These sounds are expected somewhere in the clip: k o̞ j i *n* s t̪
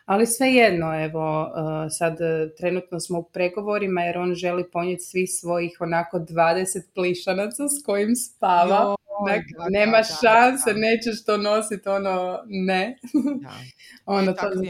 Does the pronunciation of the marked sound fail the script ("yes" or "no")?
yes